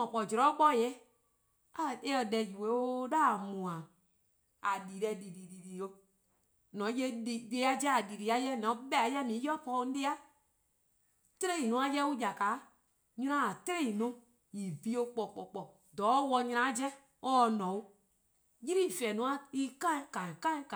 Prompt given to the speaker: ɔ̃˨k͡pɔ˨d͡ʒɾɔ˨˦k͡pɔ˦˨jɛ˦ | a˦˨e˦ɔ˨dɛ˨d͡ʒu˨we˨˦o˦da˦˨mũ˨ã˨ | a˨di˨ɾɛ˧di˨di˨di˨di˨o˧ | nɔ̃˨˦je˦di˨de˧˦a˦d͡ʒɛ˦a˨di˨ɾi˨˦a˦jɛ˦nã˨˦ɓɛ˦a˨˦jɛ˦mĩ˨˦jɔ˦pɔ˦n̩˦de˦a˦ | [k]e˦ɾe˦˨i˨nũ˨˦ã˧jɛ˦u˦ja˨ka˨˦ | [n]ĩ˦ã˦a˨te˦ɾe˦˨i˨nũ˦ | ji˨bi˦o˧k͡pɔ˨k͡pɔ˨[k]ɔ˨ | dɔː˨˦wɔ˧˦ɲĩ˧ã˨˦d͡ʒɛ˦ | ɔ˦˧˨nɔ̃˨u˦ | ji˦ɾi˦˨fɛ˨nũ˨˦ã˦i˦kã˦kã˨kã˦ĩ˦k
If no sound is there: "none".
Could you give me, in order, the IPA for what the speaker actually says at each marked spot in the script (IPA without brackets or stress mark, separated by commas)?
t, ɲ, k͡p